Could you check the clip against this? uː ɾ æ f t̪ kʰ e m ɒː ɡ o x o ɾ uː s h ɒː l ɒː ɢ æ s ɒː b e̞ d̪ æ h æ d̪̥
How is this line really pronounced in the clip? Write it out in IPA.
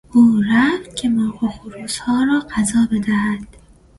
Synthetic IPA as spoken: uː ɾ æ f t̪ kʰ e m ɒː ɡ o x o ɾ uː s h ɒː ɾ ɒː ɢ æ z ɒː b e̞ d̪ æ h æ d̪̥